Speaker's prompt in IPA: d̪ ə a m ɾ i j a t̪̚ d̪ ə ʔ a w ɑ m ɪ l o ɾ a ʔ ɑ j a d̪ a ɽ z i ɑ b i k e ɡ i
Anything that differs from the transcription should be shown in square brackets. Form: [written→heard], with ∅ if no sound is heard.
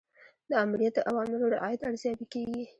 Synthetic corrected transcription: d̪ ə a m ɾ i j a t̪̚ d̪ ə ʔ a w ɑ m ɪ l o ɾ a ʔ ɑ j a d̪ a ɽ z [i→j] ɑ b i k e ɡ i